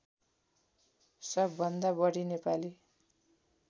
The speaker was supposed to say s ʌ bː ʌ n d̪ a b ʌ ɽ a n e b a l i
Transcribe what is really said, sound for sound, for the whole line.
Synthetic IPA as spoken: s ʌ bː ʌ n d̪ a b ʌ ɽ i n e p a l i